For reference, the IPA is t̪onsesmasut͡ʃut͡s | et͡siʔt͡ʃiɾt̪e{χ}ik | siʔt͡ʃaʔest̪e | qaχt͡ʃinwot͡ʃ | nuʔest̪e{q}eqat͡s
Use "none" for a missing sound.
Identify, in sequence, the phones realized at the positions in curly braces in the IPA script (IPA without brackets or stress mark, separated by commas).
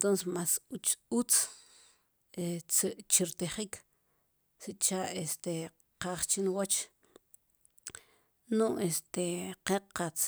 χ, q